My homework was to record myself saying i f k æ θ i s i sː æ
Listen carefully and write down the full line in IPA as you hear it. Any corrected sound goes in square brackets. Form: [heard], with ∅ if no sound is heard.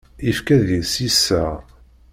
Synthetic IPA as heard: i f k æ [ð] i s i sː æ